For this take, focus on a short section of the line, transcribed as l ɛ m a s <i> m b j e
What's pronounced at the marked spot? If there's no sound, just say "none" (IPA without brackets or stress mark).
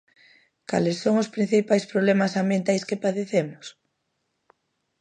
a